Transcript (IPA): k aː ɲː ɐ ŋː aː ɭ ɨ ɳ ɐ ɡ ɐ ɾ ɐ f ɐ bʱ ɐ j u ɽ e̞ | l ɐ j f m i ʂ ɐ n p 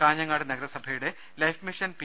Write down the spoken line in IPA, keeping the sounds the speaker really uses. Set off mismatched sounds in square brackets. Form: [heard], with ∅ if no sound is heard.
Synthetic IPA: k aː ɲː ɐ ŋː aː [ɽ] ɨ [n] ɐ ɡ ɐ ɾ ɐ [s] ɐ bʱ ɐ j u ɽ e̞ | l ɐ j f m i ʂ ɐ n p